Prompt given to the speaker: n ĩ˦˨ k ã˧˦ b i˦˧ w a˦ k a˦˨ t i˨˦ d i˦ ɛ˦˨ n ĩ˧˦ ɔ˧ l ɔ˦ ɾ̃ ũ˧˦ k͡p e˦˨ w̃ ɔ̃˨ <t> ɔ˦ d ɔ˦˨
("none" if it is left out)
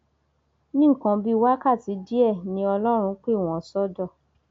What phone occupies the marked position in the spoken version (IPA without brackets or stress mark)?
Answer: s